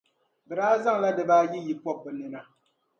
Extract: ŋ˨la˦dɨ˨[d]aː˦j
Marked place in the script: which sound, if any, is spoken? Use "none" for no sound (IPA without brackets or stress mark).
b